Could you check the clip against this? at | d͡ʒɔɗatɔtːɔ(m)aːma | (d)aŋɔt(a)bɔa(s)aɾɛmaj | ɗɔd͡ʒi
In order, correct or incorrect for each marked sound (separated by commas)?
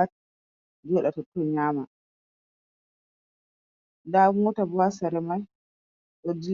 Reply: incorrect, correct, correct, correct